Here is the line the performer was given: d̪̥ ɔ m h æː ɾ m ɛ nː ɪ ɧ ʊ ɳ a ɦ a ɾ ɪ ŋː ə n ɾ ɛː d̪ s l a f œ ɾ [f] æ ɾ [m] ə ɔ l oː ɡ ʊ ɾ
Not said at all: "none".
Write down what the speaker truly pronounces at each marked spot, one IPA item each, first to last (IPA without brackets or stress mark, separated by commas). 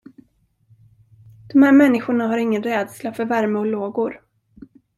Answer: v, m